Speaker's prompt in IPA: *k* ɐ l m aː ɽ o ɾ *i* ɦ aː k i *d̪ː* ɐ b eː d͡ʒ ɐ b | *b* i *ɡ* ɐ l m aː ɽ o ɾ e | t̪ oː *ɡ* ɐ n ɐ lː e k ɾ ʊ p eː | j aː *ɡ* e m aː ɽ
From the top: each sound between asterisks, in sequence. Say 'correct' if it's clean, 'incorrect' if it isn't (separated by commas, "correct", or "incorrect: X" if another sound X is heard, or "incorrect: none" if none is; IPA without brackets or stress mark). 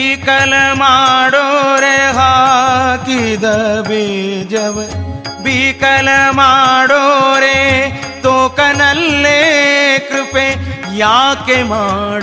correct, incorrect: e, incorrect: d̪, correct, incorrect: k, incorrect: k, incorrect: k